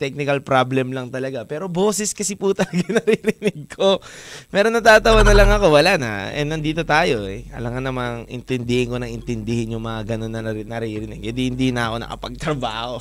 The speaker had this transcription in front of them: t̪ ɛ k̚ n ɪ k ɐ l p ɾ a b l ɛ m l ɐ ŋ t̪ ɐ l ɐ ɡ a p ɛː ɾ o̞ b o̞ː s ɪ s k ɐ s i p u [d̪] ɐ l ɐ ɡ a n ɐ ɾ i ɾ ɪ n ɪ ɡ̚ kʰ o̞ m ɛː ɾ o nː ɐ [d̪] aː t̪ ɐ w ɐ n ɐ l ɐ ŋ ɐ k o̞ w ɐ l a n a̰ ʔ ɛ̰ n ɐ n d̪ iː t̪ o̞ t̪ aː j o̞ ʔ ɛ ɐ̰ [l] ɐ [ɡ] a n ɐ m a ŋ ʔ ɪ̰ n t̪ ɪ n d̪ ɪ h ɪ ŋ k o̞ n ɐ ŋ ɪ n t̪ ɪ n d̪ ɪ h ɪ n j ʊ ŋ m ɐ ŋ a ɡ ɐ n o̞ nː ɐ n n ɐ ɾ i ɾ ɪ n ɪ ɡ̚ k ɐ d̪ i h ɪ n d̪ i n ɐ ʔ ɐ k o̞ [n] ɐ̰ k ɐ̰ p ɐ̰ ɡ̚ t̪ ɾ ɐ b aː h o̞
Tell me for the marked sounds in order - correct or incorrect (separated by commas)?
incorrect, incorrect, correct, incorrect, correct